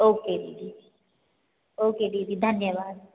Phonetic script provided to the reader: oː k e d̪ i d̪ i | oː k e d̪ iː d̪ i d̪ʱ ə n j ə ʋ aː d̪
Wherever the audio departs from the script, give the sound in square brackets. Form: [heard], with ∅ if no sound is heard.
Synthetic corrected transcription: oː k e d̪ i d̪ i | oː k e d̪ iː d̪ i d̪ʱ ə n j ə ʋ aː d̪